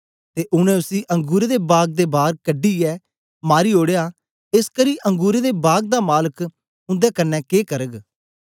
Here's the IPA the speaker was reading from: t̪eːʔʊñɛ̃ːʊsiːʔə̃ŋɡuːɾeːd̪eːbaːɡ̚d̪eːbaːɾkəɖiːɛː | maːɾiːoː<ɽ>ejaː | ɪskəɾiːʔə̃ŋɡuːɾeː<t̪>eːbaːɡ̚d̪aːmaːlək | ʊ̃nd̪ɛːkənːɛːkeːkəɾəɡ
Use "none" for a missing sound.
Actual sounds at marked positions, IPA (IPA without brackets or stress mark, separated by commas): ɽ, d̪